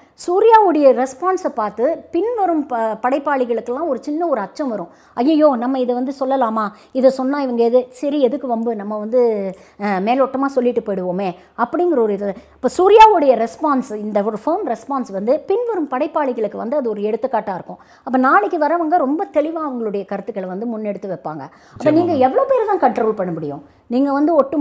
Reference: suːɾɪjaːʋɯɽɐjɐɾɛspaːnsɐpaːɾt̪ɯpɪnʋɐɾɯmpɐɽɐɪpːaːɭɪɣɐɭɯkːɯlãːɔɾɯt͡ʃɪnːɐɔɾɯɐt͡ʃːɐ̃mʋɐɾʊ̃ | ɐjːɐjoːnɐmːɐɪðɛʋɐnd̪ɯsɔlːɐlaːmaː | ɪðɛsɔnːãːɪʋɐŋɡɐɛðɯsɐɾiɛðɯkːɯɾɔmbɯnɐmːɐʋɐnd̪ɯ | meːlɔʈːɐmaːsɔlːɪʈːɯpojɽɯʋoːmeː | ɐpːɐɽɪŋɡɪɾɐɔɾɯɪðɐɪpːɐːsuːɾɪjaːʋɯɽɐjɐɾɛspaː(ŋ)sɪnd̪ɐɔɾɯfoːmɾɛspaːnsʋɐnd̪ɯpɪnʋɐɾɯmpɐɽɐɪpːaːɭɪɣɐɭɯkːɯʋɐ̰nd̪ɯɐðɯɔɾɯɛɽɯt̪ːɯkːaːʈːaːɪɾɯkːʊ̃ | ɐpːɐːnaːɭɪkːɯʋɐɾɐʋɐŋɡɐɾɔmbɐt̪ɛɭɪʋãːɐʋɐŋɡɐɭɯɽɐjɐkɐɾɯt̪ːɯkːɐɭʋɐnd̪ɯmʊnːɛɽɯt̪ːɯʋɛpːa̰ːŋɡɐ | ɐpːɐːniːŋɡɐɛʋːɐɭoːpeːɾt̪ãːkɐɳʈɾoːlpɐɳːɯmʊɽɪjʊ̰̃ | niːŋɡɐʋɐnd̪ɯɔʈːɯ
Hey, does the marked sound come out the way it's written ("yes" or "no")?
no